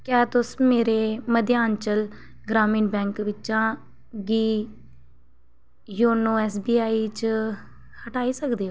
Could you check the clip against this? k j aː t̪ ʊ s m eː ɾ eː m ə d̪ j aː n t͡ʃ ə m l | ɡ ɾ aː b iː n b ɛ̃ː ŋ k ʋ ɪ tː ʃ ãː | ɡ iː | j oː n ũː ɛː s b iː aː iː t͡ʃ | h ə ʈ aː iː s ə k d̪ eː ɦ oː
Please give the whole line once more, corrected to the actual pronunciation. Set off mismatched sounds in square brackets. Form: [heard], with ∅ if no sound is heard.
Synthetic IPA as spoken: k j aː t̪ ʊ s m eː ɾ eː m ə d̪ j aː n t͡ʃ ə [∅] l | ɡ ɾ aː [m] iː n b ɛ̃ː ŋ k ʋ ɪ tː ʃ ãː | ɡ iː | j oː n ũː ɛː s b iː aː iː t͡ʃ | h ə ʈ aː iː s ə k d̪ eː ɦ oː